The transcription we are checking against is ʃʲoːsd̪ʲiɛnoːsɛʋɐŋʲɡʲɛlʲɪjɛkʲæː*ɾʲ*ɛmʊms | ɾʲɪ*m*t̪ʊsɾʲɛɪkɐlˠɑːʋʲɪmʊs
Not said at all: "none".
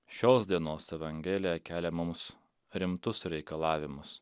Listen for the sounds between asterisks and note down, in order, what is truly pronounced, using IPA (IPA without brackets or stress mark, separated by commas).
lʲ, m